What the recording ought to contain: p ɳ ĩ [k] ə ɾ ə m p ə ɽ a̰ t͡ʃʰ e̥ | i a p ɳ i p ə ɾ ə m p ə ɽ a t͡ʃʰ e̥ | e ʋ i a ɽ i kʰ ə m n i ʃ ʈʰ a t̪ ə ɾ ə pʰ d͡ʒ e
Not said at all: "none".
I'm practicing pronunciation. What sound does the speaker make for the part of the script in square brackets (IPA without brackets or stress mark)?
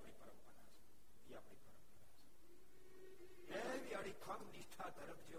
p